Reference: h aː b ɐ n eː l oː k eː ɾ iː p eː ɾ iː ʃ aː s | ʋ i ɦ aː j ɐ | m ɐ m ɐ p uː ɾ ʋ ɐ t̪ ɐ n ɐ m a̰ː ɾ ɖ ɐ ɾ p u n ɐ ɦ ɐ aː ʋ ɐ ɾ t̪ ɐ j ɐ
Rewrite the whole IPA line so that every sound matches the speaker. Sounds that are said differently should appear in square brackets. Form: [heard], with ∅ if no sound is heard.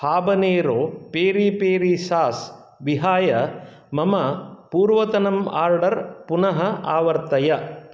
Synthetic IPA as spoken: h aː b ɐ n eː [ɾ] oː [p] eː ɾ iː p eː ɾ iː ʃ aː s | ʋ i ɦ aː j ɐ | m ɐ m ɐ p uː ɾ ʋ ɐ t̪ ɐ n ɐ m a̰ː ɾ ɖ ɐ ɾ p u n ɐ ɦ ɐ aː ʋ ɐ ɾ t̪ ɐ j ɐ